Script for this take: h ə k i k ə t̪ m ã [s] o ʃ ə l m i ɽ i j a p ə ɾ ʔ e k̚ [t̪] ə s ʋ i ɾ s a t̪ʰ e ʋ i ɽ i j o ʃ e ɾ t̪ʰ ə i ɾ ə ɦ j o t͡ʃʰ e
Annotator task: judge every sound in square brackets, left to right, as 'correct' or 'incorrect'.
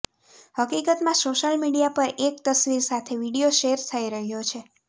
correct, correct

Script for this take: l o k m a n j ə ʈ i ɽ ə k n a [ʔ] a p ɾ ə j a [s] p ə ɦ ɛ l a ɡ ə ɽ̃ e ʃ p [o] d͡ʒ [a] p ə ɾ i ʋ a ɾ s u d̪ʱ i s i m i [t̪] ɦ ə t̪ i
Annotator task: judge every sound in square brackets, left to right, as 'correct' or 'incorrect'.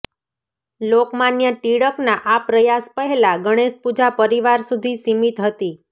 correct, correct, incorrect: u, correct, correct

